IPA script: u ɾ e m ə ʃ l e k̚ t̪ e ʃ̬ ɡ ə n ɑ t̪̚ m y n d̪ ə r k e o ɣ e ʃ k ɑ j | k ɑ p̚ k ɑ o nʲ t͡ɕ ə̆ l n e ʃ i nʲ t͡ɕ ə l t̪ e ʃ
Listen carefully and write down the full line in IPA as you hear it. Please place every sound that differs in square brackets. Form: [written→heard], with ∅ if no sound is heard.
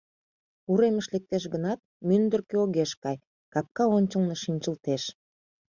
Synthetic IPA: u ɾ e m ə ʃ l e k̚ t̪ e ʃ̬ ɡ ə n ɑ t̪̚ m y n d̪ ə r k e o ɣ e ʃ k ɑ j | k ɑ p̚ k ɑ o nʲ t͡ɕ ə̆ l n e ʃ i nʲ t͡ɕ ə l t̪ e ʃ